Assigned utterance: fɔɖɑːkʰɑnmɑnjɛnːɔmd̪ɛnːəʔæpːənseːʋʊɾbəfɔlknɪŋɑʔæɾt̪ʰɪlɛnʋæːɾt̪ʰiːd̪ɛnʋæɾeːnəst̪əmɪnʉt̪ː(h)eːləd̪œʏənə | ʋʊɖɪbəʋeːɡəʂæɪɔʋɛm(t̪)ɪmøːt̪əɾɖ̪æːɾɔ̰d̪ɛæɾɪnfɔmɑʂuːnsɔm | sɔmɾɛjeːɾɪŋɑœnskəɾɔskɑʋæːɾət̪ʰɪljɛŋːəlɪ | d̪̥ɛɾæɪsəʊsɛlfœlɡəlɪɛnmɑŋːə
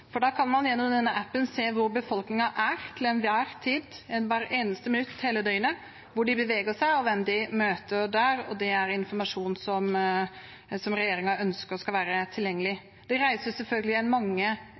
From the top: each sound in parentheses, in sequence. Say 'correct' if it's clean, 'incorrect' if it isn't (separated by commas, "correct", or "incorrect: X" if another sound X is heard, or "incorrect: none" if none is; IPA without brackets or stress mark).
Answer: correct, incorrect: d̪